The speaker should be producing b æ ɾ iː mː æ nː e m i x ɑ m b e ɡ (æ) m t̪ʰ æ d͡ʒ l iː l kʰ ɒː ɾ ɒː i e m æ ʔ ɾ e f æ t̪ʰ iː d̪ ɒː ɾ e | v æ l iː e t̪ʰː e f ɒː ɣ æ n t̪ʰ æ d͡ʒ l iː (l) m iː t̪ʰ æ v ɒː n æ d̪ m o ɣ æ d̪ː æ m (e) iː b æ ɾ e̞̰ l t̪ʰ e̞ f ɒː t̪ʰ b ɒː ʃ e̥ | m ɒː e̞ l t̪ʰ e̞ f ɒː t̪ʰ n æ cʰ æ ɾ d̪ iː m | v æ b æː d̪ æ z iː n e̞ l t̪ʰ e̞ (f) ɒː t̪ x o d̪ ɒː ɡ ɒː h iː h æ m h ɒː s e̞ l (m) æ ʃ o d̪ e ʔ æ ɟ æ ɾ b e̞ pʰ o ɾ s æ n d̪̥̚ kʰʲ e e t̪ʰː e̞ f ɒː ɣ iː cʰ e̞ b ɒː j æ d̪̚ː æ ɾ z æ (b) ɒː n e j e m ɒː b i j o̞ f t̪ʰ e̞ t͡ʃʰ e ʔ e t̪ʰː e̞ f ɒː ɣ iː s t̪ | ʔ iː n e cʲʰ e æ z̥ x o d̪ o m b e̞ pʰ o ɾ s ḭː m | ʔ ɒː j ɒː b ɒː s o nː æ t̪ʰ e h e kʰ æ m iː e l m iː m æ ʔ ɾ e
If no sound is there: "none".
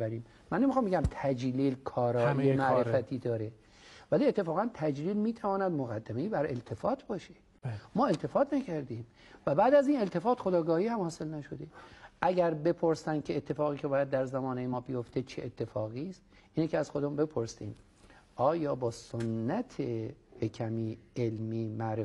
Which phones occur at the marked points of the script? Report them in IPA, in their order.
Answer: æ, l, e, f, n, m

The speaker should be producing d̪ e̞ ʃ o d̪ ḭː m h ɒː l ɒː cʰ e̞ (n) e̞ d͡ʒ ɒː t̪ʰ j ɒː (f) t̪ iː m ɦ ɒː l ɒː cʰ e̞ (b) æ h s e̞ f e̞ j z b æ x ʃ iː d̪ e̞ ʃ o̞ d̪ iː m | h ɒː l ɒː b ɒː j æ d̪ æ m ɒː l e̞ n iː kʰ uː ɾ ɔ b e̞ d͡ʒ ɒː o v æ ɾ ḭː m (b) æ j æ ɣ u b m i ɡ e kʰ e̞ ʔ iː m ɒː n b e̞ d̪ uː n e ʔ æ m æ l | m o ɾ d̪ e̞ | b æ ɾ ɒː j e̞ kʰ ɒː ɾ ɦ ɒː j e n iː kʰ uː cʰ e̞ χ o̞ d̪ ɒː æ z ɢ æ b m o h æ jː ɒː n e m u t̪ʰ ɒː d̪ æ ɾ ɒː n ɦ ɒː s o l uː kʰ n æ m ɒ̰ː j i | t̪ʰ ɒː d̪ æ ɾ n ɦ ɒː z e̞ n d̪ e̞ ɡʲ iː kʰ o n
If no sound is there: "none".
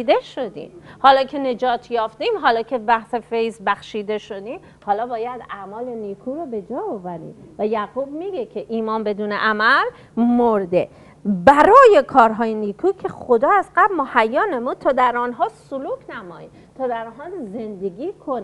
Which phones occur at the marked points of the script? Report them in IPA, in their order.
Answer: n, f, b, v

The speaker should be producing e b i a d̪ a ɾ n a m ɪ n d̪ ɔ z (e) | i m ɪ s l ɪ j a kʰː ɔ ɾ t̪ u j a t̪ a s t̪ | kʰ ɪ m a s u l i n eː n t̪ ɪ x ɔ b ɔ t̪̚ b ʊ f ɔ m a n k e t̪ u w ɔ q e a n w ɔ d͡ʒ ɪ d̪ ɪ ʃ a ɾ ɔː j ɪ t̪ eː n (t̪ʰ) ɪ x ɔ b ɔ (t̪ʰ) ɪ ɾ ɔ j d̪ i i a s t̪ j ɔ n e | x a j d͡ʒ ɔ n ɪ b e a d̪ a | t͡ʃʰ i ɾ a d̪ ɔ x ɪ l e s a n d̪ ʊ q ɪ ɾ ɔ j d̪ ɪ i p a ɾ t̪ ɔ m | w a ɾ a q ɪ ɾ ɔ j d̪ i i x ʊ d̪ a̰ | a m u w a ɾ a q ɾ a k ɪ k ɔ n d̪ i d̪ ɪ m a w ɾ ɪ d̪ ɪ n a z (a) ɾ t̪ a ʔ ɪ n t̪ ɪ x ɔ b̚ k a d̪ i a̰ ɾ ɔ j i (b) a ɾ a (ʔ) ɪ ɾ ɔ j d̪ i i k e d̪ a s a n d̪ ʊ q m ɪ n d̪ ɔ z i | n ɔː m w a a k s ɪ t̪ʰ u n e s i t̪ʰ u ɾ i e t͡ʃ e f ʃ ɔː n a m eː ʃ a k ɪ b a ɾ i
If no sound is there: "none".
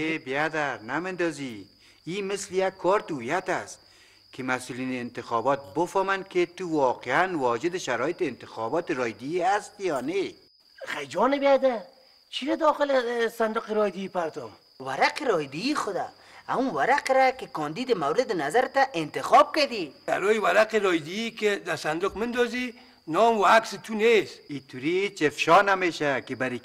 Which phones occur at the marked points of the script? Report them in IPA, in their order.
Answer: i, t̪, t̪, a, w, q

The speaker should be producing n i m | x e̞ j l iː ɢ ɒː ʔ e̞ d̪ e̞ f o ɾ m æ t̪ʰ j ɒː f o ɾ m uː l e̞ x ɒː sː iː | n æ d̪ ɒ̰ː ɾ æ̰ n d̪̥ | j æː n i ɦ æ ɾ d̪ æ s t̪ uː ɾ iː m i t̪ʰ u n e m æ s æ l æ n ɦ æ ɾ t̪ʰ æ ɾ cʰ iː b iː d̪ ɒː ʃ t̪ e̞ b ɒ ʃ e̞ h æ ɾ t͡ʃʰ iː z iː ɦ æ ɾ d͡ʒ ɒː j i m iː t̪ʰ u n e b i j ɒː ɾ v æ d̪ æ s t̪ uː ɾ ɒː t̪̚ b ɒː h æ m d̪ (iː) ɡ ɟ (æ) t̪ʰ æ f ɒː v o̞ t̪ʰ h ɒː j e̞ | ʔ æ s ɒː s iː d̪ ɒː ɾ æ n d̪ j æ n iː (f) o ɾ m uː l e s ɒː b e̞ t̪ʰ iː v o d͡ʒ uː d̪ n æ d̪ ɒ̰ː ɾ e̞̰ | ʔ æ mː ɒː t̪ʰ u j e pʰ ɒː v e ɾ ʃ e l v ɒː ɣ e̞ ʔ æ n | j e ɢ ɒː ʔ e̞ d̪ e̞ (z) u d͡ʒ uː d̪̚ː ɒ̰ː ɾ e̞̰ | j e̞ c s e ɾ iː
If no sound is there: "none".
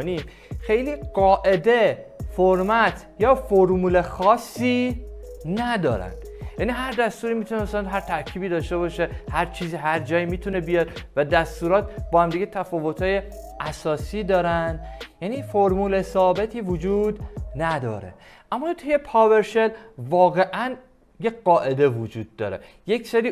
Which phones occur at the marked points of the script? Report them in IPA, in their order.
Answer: i, e, f, v

